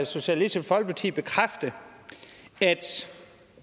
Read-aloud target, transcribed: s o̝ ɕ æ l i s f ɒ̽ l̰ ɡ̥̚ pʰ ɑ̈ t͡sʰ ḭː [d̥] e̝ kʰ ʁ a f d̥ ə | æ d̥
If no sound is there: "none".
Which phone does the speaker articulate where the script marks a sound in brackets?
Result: b̥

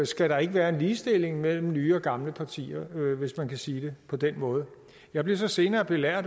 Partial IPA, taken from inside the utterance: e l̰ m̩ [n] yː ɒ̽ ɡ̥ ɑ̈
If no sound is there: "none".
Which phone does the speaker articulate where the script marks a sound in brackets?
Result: n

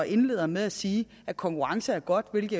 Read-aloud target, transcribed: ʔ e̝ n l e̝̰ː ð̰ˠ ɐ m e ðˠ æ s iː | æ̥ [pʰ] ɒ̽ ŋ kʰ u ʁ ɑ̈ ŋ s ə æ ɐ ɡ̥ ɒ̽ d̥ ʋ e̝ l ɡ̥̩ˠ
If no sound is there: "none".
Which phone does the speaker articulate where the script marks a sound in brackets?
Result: kʰ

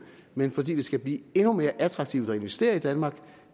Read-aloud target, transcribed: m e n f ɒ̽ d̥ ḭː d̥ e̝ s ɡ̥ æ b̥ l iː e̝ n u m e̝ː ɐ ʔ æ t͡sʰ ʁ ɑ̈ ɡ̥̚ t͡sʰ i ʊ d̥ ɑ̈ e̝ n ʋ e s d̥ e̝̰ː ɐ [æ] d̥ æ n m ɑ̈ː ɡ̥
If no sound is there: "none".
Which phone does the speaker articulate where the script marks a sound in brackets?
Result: i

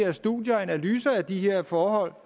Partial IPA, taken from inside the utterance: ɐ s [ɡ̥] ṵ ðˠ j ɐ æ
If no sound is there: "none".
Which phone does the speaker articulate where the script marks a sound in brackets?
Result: d̥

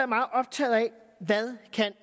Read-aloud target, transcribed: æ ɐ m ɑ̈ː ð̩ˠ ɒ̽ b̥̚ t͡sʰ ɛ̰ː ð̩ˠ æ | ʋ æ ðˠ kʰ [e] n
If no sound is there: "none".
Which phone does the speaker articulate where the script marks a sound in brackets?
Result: æ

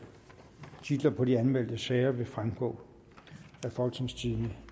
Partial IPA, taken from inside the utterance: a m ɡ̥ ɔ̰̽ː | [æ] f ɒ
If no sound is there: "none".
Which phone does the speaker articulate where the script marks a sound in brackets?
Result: æ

